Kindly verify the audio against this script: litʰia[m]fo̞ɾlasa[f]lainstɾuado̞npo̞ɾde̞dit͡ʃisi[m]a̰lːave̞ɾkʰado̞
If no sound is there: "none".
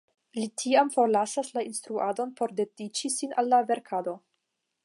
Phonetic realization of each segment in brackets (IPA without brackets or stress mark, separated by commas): m, s, n